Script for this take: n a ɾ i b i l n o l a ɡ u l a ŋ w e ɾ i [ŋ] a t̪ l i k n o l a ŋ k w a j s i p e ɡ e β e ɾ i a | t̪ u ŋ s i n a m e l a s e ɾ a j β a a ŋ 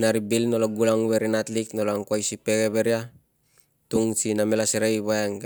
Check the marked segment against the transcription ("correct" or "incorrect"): incorrect